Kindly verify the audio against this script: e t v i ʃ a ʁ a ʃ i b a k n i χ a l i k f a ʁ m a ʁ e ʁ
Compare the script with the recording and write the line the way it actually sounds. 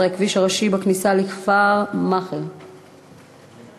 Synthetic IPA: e k v i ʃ a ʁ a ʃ i b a k n i s a l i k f a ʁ m a χ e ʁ